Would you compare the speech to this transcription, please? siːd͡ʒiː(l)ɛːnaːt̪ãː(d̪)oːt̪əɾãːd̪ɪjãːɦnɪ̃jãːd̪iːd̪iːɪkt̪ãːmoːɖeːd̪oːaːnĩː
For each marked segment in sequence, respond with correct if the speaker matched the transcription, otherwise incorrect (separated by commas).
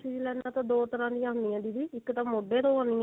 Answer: correct, correct